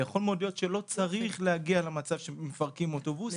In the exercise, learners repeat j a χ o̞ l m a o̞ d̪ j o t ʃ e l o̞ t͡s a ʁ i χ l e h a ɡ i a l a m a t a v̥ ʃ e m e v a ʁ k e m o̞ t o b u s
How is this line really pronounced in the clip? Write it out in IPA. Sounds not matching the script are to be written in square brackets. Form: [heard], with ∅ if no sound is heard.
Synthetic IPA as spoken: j a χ o̞ l m [e] o̞ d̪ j o t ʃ e l o̞ t͡s a ʁ i χ l e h a ɡ i a l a m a [t͡s] a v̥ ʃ e m e [f] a ʁ k [i] m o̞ t o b u s